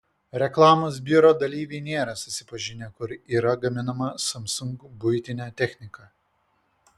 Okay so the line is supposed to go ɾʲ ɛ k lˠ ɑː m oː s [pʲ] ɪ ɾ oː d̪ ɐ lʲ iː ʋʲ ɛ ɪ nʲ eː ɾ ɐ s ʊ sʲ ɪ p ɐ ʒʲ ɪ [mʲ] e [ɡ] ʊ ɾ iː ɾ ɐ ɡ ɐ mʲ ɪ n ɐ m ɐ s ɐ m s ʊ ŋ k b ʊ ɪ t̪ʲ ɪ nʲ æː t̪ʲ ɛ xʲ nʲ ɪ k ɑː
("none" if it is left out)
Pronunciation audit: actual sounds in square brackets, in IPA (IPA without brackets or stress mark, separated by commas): bʲ, nʲ, k